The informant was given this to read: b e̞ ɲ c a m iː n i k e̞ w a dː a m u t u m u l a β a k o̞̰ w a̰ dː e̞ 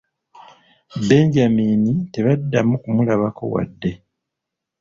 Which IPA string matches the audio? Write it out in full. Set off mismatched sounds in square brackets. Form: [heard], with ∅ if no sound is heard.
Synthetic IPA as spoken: b e̞ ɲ [ɟ] a m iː n i [t] e̞ [β] a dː a m u [k] u m u l a β a k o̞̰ w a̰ dː e̞